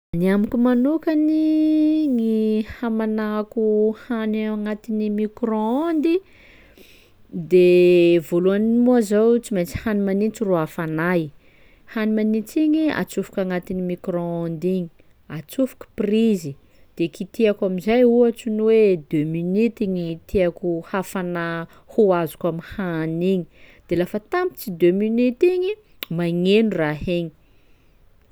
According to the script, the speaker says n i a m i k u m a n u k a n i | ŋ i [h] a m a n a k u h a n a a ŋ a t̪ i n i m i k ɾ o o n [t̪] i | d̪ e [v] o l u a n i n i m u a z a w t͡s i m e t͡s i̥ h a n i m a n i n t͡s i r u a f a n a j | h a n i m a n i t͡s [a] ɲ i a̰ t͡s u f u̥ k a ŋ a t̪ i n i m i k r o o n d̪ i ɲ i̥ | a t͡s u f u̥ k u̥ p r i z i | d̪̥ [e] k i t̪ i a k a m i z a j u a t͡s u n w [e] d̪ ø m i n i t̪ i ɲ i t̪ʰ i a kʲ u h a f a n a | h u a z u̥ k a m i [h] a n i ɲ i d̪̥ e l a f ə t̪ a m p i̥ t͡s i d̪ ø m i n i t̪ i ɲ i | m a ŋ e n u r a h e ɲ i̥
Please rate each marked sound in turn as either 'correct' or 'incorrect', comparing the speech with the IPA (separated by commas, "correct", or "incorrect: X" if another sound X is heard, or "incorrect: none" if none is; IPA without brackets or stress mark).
correct, incorrect: d̪, correct, incorrect: i, correct, correct, correct